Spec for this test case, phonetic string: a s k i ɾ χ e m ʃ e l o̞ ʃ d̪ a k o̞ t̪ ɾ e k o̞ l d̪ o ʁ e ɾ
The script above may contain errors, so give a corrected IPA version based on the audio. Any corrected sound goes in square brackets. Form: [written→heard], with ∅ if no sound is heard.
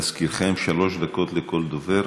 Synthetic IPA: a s k i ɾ χ e m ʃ [e→a] l o̞ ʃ d̪ a k o̞ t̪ [ɾ→l] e k o̞ l d̪ o [ʁ→v] e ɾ

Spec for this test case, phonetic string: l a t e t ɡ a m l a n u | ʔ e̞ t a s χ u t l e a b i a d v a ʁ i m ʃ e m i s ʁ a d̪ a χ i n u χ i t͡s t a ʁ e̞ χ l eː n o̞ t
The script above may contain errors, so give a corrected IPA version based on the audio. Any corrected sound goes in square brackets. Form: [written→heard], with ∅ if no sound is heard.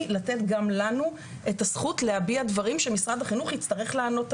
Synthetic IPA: l a t e t ɡ a m l a n u | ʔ e̞ t a s χ u t l e a b i a d v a ʁ i m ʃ e m i s ʁ a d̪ a χ i n u χ i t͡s t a ʁ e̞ χ l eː n o̞ t

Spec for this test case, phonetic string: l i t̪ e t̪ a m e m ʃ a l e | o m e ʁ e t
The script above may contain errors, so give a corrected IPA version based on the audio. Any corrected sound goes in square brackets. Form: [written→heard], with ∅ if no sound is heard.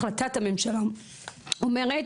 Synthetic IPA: l [i→a] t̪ [e→a] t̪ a m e m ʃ a l [e→a] | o m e ʁ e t

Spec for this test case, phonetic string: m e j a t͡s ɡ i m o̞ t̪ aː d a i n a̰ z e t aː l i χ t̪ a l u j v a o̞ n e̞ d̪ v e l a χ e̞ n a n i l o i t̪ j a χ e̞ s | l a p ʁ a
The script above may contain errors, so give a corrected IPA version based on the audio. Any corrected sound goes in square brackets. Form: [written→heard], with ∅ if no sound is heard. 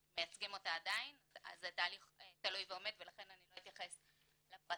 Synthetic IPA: m e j a t͡s ɡ i m o̞ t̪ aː d a i n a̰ z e t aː l i χ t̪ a l u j v [a→e] o̞ [n→m] e̞ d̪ v e l a χ e̞ n a n i l o i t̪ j a χ e̞ s | l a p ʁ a

